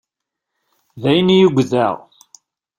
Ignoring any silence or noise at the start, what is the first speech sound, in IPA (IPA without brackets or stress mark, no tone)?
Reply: ð